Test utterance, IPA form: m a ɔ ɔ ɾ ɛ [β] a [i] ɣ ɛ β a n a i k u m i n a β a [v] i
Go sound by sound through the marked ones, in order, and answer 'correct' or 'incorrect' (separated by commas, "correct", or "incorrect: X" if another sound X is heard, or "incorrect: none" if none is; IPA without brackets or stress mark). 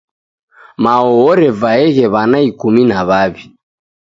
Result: incorrect: v, incorrect: ɛ, incorrect: β